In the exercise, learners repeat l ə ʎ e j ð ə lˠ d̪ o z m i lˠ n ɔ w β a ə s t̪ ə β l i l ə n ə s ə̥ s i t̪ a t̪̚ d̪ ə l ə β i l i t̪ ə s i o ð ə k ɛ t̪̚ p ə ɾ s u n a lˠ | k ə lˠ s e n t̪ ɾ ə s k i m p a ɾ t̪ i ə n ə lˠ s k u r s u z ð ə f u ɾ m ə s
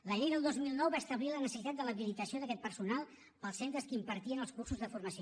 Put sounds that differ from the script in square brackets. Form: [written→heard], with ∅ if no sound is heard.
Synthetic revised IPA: l ə ʎ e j ð ə lˠ d̪ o z m i lˠ n ɔ w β a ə s t̪ ə β l i l ə n ə s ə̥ s i t̪ a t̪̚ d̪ ə l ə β i l i t̪ ə s i o ð ə k ɛ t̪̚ p ə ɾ s u n a lˠ | [k→p] ə lˠ s e n t̪ ɾ ə s k i m p [a→ə] ɾ t̪ i ə n ə lˠ s k u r s u z ð ə f u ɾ m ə s